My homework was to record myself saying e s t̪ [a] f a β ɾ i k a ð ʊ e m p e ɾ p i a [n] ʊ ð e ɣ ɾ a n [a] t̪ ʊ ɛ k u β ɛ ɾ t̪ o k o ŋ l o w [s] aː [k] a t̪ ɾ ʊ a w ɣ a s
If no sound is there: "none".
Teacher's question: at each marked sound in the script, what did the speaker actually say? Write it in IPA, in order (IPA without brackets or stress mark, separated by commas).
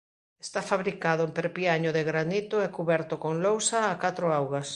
a, ɲ, i, s, k